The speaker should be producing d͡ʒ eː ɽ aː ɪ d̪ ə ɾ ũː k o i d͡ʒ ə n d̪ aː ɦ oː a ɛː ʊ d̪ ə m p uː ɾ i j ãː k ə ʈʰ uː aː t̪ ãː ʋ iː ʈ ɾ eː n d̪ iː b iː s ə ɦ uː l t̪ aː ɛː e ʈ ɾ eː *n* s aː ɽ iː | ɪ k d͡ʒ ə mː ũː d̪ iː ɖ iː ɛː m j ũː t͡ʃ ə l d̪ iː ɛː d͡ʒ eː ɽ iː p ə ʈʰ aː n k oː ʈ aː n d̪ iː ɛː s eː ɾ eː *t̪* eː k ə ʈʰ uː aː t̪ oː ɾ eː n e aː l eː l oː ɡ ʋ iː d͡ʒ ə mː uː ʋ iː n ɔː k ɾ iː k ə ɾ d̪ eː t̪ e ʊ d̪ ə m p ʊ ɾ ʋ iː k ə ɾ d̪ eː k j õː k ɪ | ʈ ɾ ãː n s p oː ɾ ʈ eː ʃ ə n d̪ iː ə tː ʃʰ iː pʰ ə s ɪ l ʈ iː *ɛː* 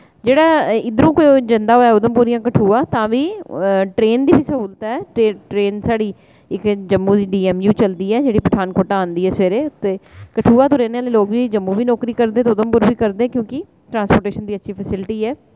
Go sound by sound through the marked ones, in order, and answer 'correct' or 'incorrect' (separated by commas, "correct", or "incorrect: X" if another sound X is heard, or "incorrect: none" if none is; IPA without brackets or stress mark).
correct, correct, correct